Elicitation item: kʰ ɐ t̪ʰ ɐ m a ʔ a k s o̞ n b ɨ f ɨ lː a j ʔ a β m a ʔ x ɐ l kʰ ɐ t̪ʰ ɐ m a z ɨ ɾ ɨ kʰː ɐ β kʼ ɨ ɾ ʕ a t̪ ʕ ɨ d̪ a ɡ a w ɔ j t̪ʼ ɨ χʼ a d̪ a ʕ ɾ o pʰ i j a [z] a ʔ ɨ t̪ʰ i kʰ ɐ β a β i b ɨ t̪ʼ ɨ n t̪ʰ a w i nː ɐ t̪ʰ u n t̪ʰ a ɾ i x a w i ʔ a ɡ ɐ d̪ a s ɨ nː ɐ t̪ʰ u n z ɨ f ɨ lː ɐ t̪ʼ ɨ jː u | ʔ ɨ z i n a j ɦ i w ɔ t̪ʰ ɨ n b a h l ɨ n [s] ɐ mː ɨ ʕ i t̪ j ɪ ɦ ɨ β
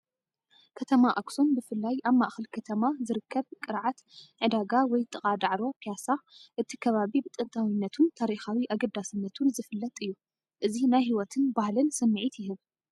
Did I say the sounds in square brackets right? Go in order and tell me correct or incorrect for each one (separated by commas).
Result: incorrect, correct